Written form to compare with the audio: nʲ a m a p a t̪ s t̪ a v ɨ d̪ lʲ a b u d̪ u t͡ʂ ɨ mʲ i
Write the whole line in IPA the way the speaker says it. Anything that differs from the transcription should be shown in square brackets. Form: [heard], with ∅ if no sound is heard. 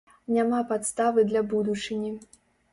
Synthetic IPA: nʲ a m a p a t̪ s t̪ a v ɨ d̪ lʲ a b u d̪ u t͡ʂ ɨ [nʲ] i